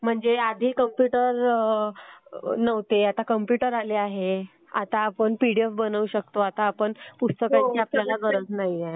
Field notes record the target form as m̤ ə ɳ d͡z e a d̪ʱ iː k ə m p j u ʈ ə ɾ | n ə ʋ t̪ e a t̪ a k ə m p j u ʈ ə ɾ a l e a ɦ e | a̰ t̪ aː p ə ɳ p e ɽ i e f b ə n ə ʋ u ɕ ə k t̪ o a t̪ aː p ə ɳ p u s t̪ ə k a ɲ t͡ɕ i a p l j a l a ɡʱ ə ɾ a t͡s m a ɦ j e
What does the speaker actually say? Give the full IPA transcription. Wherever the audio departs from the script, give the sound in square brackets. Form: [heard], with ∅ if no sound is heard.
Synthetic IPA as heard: m̤ ə ɳ d͡z e a d̪ʱ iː k ə m p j u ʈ ə ɾ | n ə ʋ t̪ e a t̪ a k ə m p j u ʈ ə ɾ a l e a ɦ e | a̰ t̪ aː p ə ɳ p [i] ɽ i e f b ə n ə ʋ u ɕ ə k t̪ o a t̪ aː p ə ɳ p u s t̪ ə k a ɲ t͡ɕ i a p l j a l a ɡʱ ə ɾ [ə] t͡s [n] a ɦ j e